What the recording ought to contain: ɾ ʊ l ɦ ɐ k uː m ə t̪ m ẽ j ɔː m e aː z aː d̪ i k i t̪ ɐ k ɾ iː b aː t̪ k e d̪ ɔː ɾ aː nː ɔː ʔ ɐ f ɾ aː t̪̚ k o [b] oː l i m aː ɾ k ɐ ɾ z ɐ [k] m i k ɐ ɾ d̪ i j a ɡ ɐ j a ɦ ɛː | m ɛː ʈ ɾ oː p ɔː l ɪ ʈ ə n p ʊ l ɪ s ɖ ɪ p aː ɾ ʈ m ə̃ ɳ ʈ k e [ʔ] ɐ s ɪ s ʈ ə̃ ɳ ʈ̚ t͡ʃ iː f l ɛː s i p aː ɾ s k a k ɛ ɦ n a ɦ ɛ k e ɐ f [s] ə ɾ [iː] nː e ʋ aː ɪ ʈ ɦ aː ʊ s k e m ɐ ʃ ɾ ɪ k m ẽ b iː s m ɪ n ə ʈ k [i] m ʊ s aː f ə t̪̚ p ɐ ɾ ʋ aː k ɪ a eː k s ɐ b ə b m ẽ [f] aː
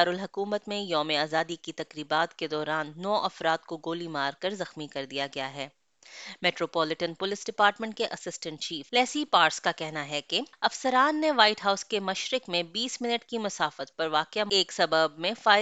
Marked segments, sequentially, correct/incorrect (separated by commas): incorrect, incorrect, correct, correct, incorrect, correct, correct